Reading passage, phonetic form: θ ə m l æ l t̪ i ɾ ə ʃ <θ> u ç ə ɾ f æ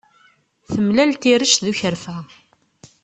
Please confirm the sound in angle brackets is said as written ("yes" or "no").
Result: no